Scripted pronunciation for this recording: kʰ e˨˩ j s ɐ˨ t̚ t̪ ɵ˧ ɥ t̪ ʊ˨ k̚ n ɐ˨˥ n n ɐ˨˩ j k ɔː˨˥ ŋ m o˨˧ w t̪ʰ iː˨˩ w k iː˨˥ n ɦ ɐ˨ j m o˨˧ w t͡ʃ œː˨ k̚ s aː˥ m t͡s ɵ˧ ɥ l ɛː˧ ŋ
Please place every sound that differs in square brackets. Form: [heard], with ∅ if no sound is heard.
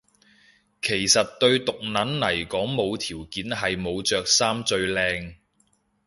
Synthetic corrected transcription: kʰ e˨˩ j s ɐ˨ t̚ t̪ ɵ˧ ɥ t̪ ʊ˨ k̚ n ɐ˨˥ n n ɐ˨˩ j k ɔː˨˥ ŋ m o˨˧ w t̪ʰ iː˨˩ w k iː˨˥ n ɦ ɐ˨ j m o˨˧ w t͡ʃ œː˨ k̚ s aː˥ m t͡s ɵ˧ ɥ l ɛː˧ ŋ